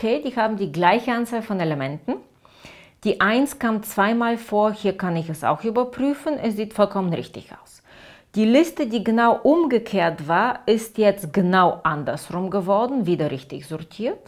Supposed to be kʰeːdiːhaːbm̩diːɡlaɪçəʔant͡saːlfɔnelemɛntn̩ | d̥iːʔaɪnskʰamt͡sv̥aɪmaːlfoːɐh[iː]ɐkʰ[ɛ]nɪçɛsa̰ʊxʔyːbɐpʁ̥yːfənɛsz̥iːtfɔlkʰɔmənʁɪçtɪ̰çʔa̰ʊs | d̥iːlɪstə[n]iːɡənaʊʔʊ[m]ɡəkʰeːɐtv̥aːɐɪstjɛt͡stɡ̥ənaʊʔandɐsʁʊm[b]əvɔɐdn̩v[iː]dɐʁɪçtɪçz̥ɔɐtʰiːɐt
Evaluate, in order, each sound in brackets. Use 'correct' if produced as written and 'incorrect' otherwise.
correct, incorrect: a, incorrect: d, correct, incorrect: ɡ, correct

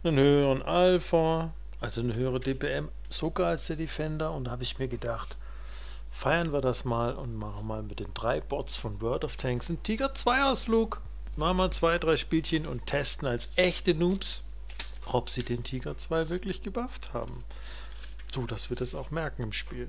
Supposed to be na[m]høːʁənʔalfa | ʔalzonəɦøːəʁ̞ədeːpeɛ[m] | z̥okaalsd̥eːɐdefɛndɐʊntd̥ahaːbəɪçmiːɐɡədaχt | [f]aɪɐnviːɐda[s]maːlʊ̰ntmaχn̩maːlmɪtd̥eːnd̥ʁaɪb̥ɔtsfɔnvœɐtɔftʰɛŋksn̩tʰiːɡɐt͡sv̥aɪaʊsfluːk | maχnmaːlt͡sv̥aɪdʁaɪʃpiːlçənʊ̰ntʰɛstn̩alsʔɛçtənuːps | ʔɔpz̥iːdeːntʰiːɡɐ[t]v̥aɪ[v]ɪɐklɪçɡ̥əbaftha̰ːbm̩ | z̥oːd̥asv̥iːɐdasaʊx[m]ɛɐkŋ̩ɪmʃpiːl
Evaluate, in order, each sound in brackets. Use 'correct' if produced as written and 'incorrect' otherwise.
incorrect: n, correct, correct, correct, incorrect: t͡s, correct, correct

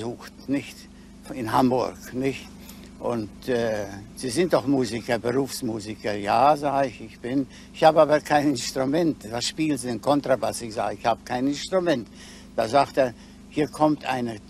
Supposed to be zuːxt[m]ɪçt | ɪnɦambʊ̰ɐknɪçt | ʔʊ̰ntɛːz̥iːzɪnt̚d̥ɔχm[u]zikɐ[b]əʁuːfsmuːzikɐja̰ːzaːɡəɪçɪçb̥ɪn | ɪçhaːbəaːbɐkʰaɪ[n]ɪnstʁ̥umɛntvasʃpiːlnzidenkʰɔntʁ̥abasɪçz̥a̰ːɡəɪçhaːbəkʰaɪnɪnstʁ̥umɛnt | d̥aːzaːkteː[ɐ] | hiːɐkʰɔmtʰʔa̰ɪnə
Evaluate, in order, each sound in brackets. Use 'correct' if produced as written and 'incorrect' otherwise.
incorrect: n, incorrect: uː, correct, correct, correct

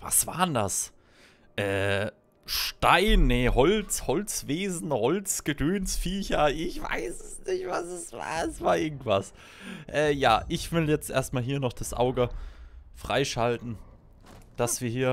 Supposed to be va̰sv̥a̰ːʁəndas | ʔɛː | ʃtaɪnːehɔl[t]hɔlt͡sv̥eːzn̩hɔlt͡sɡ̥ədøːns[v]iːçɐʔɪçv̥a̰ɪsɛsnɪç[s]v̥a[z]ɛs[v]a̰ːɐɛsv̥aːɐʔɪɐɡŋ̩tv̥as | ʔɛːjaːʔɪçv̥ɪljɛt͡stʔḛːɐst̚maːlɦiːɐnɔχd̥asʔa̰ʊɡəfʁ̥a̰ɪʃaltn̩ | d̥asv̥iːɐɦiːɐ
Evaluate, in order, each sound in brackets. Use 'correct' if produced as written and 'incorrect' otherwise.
incorrect: t͡s, incorrect: f, incorrect: t, incorrect: s, correct

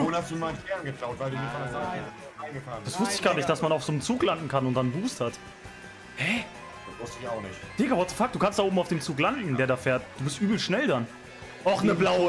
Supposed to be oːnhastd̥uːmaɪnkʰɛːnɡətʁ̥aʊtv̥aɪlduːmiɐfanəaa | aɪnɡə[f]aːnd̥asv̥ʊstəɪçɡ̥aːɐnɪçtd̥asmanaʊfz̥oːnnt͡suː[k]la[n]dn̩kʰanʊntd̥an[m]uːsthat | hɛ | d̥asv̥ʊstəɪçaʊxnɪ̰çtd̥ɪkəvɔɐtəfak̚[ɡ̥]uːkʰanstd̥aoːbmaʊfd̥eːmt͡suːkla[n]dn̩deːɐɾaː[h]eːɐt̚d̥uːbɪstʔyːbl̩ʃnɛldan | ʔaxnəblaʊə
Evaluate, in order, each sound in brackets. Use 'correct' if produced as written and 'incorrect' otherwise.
correct, correct, correct, incorrect: b, incorrect: d̥, correct, incorrect: f

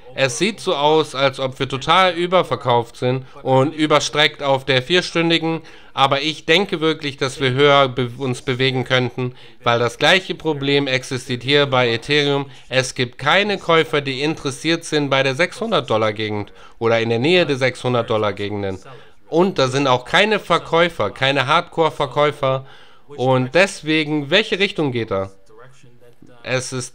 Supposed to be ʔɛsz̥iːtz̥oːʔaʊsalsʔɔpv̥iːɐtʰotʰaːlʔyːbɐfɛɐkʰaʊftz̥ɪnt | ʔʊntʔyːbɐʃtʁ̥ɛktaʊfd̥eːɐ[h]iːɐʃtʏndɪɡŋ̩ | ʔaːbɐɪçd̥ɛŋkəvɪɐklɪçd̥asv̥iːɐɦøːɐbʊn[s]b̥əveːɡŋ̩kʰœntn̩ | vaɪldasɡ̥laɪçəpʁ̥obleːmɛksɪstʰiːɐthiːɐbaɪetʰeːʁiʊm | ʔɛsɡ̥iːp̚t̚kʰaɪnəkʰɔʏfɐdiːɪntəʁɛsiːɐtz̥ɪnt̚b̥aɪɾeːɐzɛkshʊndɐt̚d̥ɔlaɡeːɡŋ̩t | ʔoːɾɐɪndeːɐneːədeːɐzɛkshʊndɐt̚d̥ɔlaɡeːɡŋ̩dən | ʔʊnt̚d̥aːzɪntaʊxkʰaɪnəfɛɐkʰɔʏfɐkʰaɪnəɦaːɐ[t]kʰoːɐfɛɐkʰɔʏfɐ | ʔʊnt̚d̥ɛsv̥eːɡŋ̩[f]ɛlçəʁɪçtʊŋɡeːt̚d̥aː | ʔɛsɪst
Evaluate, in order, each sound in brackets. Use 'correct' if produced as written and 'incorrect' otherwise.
incorrect: f, correct, correct, incorrect: v

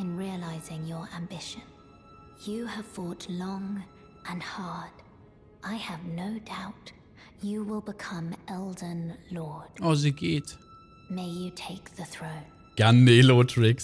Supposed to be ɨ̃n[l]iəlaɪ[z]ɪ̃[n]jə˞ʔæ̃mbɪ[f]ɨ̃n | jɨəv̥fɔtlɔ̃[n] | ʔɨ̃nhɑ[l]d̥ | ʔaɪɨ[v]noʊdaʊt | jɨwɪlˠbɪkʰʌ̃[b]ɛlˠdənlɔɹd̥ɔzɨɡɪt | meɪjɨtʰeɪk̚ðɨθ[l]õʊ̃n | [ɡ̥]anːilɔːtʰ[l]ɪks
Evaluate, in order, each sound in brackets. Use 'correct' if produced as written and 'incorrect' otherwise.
incorrect: ɹ, correct, incorrect: ŋ, incorrect: ʃ, incorrect: ŋ, incorrect: ɹ, correct, incorrect: m, incorrect: ɹ, correct, incorrect: ɹ

